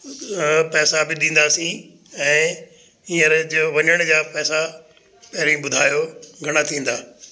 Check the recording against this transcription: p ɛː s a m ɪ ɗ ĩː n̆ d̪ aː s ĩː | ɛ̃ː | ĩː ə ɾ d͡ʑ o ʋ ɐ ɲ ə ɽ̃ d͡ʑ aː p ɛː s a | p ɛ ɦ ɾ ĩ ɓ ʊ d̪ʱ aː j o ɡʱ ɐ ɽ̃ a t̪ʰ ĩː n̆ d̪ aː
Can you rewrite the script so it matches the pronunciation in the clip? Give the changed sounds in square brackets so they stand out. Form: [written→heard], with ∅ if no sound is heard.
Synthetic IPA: p ɛː s a [m→b] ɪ ɗ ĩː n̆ d̪ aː s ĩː | ɛ̃ː | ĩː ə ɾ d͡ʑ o ʋ ɐ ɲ ə ɽ̃ d͡ʑ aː p ɛː s a | p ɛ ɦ ɾ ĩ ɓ ʊ d̪ʱ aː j o ɡʱ ɐ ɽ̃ a t̪ʰ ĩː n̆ d̪ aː